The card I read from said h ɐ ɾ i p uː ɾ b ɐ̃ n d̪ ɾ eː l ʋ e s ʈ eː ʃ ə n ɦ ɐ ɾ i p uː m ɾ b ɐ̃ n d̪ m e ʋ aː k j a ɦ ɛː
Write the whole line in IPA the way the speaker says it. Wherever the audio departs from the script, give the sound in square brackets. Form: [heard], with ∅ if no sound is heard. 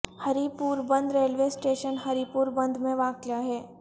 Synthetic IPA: h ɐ ɾ i p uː ɾ b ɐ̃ n d̪ ɾ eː l ʋ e s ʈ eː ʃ ə n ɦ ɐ ɾ i p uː [∅] ɾ b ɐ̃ n d̪ m [ẽ] ʋ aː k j a ɦ ɛː